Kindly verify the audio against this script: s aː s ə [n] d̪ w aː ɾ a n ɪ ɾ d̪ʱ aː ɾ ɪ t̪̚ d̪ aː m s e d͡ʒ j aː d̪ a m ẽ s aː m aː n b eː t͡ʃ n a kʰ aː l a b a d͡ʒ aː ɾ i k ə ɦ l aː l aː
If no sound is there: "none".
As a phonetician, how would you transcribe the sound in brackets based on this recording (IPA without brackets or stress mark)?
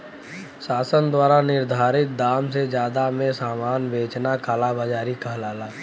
n